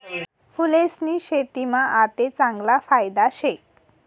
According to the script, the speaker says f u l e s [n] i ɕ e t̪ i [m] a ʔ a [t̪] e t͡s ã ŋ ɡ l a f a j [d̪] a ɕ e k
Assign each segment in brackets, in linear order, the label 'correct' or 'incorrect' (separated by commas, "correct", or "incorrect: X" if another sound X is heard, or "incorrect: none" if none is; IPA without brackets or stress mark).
correct, correct, correct, correct